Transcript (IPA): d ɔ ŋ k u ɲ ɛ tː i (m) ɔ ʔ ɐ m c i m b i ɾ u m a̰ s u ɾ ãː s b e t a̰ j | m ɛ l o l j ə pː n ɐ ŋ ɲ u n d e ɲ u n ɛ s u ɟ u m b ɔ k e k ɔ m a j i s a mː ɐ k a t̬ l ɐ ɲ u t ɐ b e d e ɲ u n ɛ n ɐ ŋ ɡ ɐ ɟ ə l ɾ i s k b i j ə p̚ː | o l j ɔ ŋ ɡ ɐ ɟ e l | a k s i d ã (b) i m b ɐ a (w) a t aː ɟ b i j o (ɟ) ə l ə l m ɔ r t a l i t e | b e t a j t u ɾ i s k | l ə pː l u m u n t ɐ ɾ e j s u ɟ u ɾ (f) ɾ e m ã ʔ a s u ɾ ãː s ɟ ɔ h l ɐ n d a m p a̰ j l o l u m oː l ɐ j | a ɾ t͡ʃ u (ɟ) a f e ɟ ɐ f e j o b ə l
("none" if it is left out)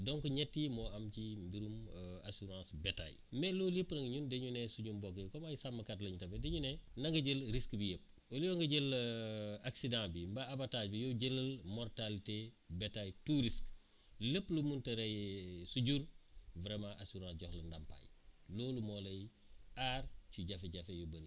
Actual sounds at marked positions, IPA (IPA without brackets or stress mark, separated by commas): m, b, b, ɟ, v, ɟ